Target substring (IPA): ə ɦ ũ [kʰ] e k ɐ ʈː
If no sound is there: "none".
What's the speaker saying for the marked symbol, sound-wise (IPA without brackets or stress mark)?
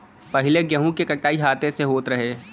k